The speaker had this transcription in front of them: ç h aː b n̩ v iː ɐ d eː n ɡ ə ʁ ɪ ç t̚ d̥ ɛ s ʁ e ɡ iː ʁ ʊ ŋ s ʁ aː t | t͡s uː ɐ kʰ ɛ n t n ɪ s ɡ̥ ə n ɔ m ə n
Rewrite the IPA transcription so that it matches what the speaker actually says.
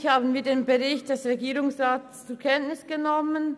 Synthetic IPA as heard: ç h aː b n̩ v iː ɐ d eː n b ə ʁ ɪ ç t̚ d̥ ɛ s ʁ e ɡ iː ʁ ʊ ŋ s ʁ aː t | t͡s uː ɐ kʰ ɛ n t n ɪ s ɡ̥ ə n ɔ m ə n

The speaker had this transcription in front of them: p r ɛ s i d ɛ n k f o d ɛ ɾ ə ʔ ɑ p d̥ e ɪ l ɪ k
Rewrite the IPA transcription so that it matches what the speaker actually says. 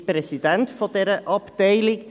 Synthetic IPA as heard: p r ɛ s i d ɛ n t f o d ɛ ɾ ə ʔ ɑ p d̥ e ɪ l ɪ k

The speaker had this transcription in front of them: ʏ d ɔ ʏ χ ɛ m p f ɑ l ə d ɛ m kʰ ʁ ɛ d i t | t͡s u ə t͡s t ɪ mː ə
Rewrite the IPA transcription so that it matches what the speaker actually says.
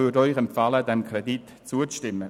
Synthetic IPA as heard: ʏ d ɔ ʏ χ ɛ m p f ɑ l ə d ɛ m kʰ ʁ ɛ d i t | t͡s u ə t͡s t ɪ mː ə

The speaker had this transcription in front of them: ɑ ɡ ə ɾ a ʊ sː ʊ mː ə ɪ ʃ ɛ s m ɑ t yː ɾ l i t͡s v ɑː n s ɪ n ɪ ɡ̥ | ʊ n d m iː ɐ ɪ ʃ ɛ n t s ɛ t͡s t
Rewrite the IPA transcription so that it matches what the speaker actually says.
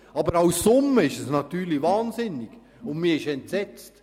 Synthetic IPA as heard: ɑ b ə ɾ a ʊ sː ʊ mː ə ɪ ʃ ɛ s n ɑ t yː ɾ l i v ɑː n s ɪ n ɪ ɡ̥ | ʊ n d m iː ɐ ɪ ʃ ɛ n t s ɛ t͡s t

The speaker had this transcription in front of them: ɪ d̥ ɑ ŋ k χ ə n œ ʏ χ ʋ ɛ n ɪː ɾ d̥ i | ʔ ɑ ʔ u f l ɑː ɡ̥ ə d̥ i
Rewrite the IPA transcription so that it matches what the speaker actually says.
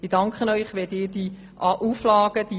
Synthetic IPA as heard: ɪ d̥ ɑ ŋ k χ ə n œ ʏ χ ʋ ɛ d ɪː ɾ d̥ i | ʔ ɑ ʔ u f l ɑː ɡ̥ ə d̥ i

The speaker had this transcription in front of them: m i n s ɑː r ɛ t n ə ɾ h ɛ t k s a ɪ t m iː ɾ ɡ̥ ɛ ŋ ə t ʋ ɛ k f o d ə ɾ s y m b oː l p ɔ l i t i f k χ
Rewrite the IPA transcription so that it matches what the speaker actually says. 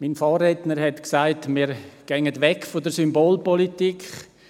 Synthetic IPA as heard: m i n f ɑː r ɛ t n ə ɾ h ɛ t k s a ɪ t m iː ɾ ɡ̥ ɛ ŋ ə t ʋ ɛ k f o d ə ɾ s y m b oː l p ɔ l i t i k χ

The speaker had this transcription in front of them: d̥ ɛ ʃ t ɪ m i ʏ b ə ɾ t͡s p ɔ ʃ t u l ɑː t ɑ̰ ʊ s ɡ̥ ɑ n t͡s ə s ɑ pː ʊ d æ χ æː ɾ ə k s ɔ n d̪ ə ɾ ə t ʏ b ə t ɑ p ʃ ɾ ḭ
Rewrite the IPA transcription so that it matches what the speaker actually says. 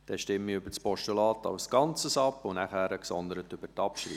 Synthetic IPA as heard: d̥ ɛ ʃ t ɪ m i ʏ b ə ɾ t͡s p ɔ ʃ t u l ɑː t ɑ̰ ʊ s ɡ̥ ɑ n t͡s ə s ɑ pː ʊ n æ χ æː ɾ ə k s ɔ n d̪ ə ɾ ə t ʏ b ə t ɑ p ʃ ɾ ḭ

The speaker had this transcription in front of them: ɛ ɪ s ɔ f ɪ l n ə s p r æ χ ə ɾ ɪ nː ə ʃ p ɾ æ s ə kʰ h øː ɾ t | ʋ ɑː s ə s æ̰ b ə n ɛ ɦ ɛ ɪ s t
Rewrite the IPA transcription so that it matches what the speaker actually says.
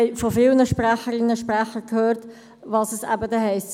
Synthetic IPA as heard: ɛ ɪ f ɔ f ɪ l n ə ʃ p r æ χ ə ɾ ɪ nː ə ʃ p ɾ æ χ ə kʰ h øː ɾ t | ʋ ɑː s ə s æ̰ b ə d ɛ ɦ ɛ ɪ s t

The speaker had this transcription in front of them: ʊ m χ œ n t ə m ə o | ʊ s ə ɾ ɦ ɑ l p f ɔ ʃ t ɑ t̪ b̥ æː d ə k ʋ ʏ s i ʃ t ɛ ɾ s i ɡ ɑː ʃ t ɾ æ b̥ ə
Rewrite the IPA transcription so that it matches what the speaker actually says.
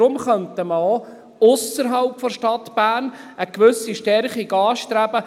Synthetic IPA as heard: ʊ m χ œ n t ə m ə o | ʊ s ə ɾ ɦ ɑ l p f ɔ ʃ t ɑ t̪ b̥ æː n ə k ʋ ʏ s i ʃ t ɛ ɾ χ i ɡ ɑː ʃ t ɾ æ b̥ ə

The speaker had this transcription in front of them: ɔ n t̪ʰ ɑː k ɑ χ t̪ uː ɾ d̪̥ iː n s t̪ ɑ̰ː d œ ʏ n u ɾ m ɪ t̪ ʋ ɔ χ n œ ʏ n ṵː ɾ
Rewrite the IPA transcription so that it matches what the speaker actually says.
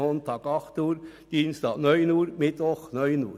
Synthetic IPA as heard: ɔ n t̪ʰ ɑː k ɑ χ t̪ uː ɾ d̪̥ iː n s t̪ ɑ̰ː n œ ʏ n uː ɾ m ɪ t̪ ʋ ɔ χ n œ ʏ n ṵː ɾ

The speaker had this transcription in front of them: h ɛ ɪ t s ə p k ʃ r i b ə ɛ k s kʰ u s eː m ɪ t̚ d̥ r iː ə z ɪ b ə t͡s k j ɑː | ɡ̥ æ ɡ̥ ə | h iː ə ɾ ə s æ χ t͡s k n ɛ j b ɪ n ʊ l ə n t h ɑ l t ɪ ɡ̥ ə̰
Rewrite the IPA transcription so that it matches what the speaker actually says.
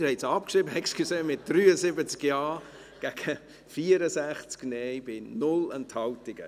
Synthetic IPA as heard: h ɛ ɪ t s ɑ p k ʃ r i b ə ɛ k s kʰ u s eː m ɪ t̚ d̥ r yː ə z ɪ b ə t͡s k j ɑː | ɡ̥ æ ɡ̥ ə | f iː ə ɾ ə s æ χ t͡s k n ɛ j b ɪ n ʊ l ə n t h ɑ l t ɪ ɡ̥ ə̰

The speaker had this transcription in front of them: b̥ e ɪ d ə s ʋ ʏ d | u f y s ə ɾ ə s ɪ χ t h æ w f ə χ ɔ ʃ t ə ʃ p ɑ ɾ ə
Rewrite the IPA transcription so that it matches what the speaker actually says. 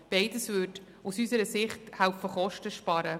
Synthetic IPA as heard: b̥ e ɪ d ə s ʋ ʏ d | u s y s ə ɾ ə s ɪ χ t h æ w f ə χ ɔ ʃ t ə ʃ p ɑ ɾ ə

